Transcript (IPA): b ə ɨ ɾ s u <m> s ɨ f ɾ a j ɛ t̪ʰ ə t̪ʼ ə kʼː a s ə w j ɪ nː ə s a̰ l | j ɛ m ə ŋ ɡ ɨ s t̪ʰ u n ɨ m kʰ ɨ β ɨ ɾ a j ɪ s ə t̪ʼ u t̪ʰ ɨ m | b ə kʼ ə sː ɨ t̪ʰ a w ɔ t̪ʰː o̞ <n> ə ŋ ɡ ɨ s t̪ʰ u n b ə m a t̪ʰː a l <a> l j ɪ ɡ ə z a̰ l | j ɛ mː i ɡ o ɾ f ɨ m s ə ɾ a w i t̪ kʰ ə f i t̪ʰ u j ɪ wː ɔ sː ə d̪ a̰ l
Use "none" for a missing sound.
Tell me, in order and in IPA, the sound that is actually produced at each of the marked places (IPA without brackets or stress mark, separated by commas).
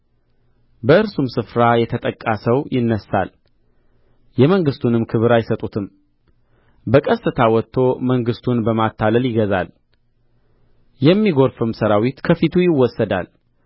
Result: m, m, ə